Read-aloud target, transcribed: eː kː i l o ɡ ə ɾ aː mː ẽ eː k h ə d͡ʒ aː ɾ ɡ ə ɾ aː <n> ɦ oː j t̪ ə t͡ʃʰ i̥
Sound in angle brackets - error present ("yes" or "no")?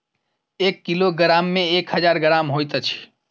yes